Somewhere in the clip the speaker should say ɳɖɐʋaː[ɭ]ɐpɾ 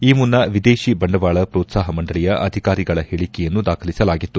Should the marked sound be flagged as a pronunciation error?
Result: no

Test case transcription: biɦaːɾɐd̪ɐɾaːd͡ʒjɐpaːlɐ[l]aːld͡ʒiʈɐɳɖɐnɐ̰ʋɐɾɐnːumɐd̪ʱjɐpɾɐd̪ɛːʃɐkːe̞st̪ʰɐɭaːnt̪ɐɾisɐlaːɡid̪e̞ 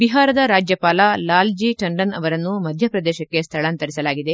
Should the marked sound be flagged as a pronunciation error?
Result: no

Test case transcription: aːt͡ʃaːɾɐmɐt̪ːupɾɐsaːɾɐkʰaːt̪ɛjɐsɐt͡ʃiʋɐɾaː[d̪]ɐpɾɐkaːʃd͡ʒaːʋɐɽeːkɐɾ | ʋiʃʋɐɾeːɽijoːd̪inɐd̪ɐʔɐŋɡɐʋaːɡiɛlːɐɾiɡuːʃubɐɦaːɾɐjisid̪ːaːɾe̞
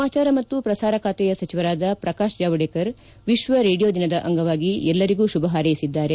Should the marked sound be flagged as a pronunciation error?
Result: no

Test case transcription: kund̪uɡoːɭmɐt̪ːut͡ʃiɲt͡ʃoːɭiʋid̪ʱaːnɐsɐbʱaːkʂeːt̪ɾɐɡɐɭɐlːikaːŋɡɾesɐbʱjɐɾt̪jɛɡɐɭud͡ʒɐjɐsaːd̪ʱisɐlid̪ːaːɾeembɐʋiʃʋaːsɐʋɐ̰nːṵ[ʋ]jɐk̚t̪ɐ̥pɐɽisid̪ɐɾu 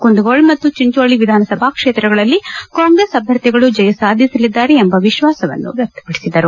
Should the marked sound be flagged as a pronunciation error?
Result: no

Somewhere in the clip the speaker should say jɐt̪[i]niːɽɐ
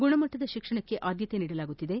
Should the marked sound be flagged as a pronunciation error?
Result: yes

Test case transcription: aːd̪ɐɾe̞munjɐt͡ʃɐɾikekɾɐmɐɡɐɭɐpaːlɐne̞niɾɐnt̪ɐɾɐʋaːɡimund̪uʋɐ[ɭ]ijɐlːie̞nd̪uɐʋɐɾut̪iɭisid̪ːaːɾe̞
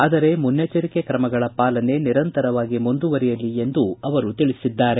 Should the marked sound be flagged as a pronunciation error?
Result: yes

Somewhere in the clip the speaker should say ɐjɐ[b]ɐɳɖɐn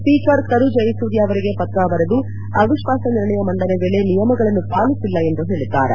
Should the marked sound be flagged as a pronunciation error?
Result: yes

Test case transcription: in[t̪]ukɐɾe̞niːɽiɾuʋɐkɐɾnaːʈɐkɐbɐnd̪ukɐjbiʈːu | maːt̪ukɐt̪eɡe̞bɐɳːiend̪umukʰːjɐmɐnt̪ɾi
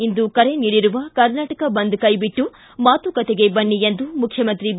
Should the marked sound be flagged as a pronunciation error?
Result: yes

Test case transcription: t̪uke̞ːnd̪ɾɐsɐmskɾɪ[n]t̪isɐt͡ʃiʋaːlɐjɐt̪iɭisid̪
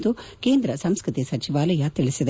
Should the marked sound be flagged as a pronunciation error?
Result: yes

